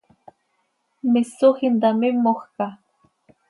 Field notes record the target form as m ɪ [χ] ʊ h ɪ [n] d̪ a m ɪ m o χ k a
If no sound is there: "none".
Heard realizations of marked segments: s, n

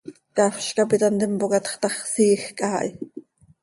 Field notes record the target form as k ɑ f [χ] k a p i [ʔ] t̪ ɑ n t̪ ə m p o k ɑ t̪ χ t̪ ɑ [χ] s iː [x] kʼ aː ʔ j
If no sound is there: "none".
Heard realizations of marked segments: ʃ, none, χ, x

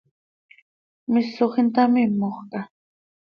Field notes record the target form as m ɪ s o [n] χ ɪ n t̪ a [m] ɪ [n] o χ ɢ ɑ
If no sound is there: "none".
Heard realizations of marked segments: none, m, m

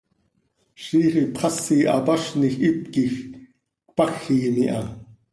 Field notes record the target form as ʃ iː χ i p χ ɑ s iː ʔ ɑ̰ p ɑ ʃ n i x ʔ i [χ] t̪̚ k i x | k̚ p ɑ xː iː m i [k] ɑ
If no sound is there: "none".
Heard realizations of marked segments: none, ʔ

